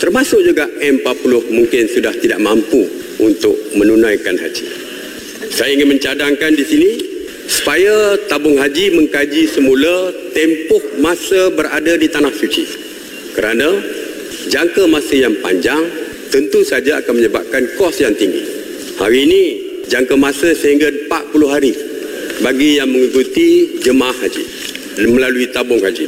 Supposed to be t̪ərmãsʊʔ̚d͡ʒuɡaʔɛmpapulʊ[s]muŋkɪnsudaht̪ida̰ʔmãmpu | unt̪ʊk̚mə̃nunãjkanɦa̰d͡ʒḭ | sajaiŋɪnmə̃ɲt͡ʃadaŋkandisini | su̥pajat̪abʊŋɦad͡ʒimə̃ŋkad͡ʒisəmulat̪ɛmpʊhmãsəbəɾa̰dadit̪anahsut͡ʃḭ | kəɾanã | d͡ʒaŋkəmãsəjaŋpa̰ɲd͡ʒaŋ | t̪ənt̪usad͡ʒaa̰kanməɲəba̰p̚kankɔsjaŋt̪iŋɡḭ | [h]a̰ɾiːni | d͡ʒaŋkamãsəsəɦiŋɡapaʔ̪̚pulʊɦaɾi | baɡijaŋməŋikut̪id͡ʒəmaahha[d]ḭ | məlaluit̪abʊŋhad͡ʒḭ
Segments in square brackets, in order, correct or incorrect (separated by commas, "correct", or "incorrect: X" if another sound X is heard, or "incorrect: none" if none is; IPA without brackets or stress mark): incorrect: h, correct, incorrect: d͡ʒ